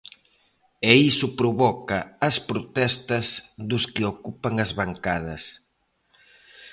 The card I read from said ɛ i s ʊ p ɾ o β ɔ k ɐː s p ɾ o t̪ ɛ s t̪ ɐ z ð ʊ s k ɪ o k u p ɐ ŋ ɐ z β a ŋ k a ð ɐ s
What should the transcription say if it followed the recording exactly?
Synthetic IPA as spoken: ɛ i s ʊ p ɾ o β ɔ k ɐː s p ɾ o t̪ ɛ s t̪ ɐ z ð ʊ s k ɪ o k u p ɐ ŋ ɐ z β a ŋ k a ð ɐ s